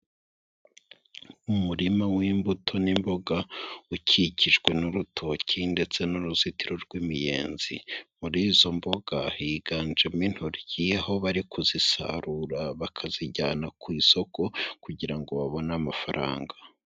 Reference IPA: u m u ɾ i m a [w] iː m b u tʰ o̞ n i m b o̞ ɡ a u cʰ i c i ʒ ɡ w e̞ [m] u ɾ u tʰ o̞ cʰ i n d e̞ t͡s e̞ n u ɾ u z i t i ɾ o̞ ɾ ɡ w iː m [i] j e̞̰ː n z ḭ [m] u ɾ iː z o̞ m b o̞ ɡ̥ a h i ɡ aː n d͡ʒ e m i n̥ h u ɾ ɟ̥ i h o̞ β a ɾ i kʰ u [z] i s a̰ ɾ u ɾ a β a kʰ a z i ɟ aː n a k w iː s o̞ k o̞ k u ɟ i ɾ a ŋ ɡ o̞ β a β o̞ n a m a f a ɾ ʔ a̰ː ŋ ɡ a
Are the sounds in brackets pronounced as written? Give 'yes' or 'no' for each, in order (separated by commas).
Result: yes, no, yes, yes, yes